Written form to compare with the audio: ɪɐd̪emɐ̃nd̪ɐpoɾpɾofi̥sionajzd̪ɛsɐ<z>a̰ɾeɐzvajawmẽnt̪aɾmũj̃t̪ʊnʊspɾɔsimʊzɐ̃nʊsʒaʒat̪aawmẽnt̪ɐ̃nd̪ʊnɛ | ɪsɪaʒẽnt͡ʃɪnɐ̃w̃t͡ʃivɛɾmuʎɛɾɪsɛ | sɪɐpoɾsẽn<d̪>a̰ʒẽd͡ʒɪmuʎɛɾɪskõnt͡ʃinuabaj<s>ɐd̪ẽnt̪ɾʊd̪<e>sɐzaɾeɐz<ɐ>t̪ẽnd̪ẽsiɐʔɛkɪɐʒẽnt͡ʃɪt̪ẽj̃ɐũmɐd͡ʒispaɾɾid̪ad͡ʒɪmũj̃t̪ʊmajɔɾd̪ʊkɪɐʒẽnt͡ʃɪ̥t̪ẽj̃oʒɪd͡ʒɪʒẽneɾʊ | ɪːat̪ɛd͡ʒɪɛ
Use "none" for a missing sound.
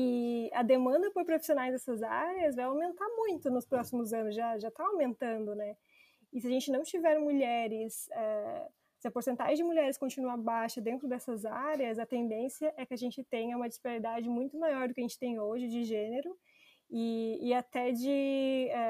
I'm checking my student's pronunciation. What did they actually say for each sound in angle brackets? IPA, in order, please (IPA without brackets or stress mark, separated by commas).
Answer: z, t̪, ʃ, ɛ, ɐ